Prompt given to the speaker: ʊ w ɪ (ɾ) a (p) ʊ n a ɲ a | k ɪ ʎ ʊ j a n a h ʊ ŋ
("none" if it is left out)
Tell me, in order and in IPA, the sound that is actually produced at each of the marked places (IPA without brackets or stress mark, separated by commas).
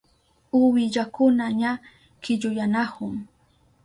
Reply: ʎ, k